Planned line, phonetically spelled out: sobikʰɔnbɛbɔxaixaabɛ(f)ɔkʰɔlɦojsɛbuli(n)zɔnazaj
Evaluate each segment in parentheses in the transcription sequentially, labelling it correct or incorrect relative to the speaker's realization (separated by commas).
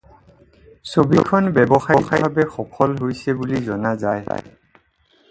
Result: incorrect, incorrect